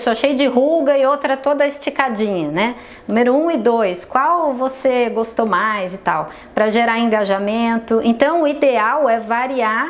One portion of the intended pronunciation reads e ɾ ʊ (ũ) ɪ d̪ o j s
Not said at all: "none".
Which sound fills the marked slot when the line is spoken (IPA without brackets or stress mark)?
ũ